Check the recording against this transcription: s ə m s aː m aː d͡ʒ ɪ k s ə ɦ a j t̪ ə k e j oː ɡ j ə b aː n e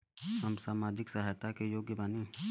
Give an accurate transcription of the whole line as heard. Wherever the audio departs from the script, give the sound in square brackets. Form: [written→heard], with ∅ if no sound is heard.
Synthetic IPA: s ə m s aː m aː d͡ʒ ɪ k s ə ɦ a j t̪ [ə→a] k e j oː ɡ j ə b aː n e